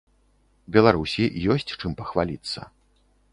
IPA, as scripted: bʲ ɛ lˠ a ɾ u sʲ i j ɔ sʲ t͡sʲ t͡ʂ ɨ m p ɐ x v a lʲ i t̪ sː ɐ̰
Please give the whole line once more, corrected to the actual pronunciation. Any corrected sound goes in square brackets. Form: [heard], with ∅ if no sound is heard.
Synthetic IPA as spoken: bʲ ɛ lˠ a ɾ u sʲ i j ɔ sʲ t͡sʲ t͡ʂ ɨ m p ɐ x v a lʲ i t̪ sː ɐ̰